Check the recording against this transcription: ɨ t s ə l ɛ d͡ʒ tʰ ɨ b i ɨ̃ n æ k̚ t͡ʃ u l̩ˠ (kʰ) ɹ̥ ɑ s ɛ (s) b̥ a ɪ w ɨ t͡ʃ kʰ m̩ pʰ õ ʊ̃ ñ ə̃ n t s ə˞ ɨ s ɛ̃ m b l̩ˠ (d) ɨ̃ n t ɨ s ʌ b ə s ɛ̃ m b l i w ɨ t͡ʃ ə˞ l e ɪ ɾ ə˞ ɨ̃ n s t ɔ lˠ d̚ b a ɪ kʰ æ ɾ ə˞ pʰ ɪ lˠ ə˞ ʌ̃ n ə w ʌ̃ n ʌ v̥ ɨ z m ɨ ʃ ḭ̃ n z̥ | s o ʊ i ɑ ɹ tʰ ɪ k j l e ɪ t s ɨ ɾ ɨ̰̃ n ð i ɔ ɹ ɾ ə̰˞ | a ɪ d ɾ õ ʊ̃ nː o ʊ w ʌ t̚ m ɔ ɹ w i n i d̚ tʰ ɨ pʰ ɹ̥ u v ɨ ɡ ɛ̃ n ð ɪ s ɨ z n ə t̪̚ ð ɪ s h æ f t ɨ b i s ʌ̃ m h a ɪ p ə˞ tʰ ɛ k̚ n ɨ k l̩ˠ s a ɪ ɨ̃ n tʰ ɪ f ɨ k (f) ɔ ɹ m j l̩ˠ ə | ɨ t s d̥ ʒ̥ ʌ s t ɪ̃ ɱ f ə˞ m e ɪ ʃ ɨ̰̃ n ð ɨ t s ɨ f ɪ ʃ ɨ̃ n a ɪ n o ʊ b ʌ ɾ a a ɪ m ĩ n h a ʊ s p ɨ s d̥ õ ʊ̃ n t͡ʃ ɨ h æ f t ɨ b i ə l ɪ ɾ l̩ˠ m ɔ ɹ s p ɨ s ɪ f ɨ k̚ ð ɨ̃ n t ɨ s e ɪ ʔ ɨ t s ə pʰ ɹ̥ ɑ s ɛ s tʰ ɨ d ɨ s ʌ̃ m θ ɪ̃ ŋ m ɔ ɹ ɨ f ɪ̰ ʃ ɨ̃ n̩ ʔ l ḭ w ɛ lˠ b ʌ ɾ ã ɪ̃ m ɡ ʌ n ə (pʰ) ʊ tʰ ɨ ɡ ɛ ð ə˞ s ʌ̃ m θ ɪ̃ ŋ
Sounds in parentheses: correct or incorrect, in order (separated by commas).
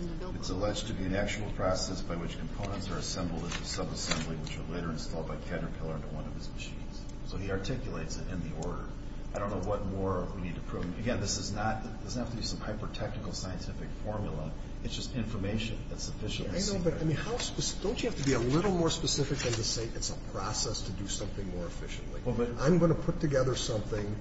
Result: incorrect, correct, correct, correct, correct